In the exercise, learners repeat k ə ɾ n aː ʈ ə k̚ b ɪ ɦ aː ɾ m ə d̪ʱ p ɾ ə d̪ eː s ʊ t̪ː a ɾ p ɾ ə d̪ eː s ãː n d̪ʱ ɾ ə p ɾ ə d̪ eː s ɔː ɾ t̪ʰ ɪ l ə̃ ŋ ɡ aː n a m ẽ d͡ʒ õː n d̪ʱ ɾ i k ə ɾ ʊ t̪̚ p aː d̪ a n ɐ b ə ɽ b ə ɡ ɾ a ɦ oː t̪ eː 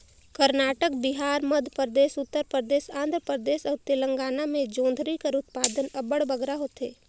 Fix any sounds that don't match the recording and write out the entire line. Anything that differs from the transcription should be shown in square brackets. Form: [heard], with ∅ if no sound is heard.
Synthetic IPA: k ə ɾ n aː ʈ ə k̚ b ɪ ɦ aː ɾ m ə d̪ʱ p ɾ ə d̪ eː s ʊ t̪ː [ə] ɾ p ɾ ə d̪ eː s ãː n d̪ʱ ɾ ə p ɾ ə d̪ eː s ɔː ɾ [t̪] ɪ l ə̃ ŋ ɡ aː n a m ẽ d͡ʒ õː n d̪ʱ ɾ i k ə ɾ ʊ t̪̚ p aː d̪ [ə] n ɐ b ə ɽ b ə ɡ ɾ a ɦ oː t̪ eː